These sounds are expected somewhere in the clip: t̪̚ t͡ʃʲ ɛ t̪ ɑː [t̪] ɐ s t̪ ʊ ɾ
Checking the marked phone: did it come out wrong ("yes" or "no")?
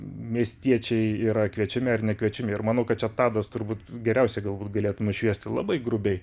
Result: yes